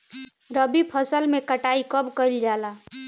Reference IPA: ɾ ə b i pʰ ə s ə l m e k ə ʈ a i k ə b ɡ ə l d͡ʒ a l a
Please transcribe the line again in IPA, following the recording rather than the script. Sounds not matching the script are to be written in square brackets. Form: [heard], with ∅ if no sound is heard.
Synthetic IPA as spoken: ɾ ə b i pʰ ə s ə l m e k ə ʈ a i k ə b [k] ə l d͡ʒ a l a